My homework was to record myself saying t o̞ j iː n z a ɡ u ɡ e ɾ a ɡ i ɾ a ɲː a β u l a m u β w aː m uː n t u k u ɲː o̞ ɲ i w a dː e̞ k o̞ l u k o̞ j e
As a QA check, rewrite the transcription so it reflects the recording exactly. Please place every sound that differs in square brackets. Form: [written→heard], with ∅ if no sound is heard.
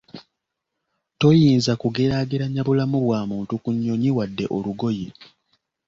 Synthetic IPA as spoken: t o̞ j iː n z a [ɡ→k] u ɡ e ɾ a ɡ i ɾ a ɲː a β u l a m u β w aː m uː n t u k u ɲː o̞ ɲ i w a dː e̞ [k→ʔ] o̞ l u [k→ɡ] o̞ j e